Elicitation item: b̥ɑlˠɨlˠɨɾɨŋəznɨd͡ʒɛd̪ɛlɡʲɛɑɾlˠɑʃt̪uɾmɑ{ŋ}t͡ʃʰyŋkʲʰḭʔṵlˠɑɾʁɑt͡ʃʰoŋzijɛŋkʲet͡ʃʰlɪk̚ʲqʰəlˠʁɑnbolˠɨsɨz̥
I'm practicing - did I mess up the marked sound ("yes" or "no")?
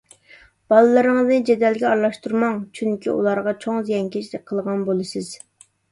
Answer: no